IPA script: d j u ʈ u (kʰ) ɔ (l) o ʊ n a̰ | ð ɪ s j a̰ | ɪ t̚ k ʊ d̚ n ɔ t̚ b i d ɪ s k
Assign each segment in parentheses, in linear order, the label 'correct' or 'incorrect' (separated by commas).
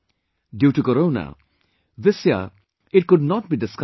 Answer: incorrect, incorrect